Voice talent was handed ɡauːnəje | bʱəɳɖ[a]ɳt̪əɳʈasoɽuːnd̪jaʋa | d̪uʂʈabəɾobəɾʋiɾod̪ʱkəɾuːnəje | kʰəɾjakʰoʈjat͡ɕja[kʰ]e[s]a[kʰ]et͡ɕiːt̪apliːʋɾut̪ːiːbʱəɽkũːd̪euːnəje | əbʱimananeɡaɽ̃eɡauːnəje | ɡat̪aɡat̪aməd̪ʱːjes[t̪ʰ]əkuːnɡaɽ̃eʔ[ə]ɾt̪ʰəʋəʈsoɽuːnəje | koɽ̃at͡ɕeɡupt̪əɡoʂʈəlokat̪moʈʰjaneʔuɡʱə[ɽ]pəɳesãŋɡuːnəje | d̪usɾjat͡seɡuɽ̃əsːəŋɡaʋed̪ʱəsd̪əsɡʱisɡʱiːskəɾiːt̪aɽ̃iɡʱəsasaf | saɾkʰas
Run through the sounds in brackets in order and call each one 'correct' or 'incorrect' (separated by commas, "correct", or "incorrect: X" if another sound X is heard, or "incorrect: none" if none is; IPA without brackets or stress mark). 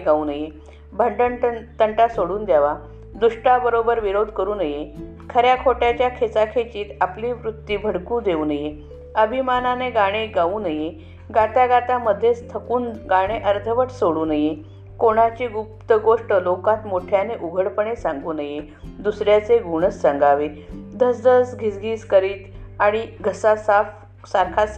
incorrect: ə, correct, incorrect: t͡s, correct, correct, correct, correct